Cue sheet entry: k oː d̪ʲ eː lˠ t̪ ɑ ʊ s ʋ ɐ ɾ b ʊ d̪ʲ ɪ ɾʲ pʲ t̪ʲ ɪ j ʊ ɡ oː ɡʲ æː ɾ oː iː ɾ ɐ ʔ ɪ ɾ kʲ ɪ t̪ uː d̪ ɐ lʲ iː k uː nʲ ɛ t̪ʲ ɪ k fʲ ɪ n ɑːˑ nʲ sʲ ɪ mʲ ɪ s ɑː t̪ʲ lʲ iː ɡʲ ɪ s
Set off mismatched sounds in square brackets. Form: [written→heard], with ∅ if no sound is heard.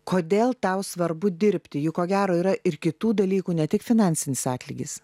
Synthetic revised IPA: k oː d̪ʲ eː lˠ t̪ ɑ ʊ s ʋ ɐ ɾ b ʊ d̪ʲ ɪ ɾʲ pʲ t̪ʲ ɪ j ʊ [ɡ→k] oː ɡʲ æː ɾ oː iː ɾ ɐ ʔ ɪ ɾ kʲ ɪ t̪ uː d̪ ɐ lʲ iː k uː nʲ ɛ t̪ʲ ɪ k fʲ ɪ n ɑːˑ nʲ sʲ ɪ [mʲ→nʲ] ɪ s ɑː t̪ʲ lʲ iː ɡʲ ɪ s